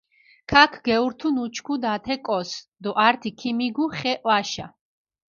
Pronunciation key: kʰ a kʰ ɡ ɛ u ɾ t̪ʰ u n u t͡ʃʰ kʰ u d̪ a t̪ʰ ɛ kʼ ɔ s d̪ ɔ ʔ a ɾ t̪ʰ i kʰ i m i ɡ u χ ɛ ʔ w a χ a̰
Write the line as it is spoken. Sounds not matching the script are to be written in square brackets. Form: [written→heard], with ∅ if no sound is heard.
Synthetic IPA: kʰ a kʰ ɡ ɛ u ɾ t̪ʰ u n u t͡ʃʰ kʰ u d̪ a t̪ʰ ɛ kʼ ɔ s d̪ ɔ ʔ a ɾ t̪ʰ i kʰ i m i ɡ u χ ɛ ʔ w a [χ→ʃ] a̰